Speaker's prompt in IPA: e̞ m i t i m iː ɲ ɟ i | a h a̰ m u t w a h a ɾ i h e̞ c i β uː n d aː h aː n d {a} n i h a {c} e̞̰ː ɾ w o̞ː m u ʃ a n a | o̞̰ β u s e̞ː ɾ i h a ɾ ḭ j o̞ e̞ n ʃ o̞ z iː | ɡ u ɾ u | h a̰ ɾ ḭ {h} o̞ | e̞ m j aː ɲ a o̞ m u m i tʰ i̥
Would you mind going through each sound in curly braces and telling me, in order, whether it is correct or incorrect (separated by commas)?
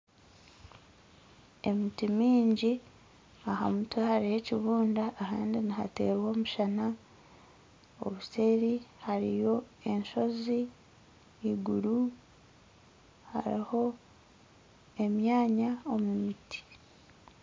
incorrect, incorrect, correct